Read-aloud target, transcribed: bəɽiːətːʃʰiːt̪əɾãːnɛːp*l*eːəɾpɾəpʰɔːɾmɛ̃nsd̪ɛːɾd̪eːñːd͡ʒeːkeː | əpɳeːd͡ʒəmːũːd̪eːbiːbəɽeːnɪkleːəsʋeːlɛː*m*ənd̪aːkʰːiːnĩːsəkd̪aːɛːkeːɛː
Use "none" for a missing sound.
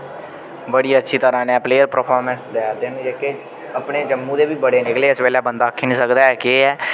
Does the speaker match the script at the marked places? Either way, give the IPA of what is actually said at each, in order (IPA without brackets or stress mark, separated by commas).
l, b